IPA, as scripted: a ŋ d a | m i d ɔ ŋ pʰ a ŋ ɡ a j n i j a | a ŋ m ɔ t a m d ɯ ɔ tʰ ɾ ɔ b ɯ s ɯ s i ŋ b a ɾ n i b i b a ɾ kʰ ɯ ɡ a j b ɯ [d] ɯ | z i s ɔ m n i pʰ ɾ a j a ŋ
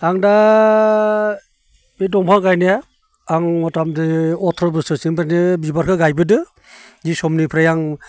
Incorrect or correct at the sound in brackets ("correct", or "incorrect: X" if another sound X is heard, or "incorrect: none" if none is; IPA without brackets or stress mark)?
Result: correct